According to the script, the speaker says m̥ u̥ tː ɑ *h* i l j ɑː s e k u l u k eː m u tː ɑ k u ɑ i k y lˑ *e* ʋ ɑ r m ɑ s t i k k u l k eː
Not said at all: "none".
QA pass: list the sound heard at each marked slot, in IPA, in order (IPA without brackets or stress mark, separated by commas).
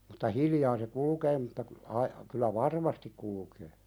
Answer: h, æ